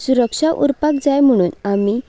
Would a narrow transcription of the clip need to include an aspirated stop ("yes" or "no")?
no